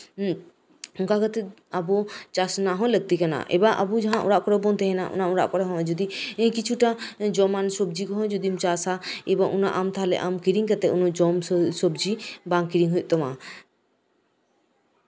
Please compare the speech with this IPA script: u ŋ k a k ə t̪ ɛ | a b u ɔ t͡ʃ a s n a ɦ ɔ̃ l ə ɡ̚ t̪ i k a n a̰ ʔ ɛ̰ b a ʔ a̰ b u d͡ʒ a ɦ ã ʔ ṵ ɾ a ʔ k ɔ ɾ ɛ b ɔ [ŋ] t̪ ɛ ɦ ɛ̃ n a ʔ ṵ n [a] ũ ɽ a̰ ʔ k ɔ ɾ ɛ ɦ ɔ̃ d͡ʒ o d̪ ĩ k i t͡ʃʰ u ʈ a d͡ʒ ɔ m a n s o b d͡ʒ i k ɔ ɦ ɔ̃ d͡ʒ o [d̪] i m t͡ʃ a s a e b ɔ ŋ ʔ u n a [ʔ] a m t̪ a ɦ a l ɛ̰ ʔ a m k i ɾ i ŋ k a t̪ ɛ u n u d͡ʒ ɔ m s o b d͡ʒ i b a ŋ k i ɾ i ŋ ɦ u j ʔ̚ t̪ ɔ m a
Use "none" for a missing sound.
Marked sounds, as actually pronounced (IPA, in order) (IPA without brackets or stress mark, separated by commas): n, a, d̪, ʔ